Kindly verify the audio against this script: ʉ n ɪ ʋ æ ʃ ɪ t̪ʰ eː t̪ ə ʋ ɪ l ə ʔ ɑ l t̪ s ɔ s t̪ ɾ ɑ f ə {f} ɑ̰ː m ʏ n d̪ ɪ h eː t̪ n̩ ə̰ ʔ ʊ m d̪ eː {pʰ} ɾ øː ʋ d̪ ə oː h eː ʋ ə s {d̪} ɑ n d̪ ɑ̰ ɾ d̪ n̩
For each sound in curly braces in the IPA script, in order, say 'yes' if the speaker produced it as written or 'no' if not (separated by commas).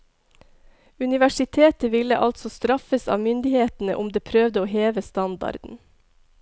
no, yes, no